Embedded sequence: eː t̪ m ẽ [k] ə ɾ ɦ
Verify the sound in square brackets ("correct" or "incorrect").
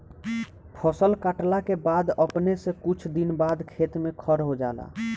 incorrect